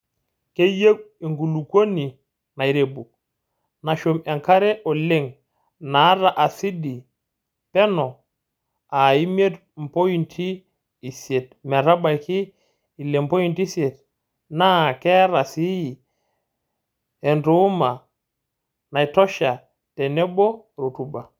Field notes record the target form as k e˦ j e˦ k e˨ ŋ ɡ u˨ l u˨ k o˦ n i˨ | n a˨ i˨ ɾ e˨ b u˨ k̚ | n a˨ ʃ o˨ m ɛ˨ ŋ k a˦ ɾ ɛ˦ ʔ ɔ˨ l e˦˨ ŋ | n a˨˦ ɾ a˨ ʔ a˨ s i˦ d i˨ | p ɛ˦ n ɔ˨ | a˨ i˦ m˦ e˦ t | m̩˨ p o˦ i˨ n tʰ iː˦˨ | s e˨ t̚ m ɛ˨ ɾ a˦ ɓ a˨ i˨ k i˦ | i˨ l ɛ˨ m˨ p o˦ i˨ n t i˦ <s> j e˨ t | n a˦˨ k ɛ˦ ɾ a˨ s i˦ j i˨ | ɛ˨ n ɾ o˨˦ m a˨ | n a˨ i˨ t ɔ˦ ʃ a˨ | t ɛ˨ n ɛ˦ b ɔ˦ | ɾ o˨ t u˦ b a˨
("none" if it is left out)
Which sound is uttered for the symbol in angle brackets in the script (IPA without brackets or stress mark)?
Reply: s